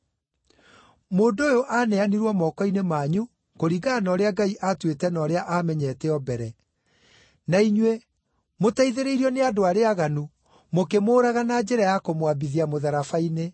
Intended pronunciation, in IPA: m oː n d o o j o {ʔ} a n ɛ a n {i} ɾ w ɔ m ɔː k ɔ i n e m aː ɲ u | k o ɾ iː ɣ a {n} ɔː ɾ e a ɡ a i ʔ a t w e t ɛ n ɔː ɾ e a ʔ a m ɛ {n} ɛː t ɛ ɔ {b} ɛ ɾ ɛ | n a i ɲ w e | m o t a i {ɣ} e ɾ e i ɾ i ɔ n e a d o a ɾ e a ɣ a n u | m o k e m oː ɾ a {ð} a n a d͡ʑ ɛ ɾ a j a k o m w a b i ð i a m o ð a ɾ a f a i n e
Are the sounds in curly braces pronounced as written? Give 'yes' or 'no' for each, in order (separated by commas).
yes, yes, yes, no, yes, no, no